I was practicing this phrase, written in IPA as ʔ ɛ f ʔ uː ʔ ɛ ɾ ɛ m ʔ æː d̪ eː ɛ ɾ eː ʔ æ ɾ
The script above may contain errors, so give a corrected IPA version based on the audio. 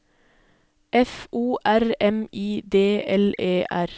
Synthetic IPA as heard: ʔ ɛ f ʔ uː ʔ æ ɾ ɛ m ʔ iː d̪ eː ɛ l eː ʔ æ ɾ